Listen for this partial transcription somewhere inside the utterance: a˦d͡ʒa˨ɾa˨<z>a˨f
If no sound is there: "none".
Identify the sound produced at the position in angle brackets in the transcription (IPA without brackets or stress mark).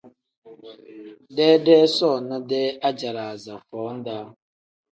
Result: z